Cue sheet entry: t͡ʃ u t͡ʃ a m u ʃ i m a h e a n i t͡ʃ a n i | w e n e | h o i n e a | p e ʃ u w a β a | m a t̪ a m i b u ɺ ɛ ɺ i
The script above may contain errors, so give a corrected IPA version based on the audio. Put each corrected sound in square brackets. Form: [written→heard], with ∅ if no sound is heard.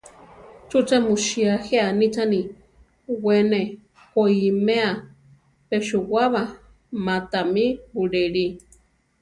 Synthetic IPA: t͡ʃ u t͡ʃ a m u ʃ i [m→∅] a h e a n i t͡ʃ a n i | w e n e | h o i [n→m] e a | p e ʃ u w a β a | m a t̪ a m i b u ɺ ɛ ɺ i